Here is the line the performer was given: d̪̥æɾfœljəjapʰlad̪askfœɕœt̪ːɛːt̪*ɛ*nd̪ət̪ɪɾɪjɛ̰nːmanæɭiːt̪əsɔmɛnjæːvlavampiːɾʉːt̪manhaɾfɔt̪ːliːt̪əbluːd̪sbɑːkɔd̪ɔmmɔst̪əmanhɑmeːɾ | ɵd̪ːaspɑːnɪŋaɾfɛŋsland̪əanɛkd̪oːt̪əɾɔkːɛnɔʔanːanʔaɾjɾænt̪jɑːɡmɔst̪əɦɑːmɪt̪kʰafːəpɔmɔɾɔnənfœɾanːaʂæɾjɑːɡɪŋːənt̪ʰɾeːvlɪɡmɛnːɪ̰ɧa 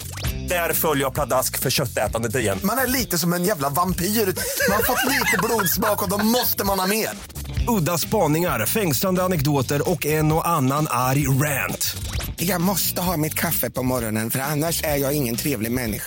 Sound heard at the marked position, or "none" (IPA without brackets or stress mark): a